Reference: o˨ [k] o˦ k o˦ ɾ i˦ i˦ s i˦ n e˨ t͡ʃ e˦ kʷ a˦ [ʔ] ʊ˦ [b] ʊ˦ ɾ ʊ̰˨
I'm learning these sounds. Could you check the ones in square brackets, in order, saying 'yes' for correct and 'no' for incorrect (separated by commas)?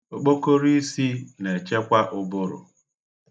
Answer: no, yes, yes